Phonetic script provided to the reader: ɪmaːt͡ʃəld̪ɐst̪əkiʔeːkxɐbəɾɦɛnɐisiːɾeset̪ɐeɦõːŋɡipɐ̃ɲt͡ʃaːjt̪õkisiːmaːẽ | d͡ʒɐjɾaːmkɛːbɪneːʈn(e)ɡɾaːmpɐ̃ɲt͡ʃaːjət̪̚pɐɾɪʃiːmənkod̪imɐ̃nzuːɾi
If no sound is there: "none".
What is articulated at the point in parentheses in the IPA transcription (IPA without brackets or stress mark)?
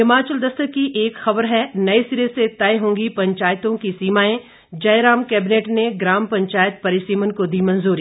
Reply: e